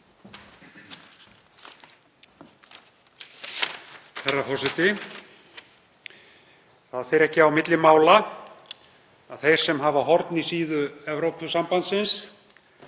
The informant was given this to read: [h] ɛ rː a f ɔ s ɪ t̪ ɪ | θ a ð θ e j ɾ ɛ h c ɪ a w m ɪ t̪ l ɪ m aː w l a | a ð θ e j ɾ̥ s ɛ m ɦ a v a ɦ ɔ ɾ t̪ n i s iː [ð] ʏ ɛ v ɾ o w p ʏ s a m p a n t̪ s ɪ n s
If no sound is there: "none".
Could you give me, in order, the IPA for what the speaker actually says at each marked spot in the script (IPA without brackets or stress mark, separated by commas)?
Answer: θ, ð